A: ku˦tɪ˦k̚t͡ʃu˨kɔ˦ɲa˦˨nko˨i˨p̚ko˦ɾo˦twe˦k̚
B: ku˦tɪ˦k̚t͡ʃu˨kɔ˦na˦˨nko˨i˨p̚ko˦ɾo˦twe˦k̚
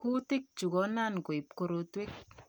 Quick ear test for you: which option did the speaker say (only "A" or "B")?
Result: B